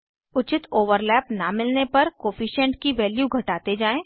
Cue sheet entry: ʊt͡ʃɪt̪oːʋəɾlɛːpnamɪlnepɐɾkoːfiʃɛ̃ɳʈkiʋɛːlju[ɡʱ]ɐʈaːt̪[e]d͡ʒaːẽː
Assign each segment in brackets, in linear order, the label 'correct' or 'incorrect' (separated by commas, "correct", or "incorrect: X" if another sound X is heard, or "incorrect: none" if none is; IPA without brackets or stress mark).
correct, correct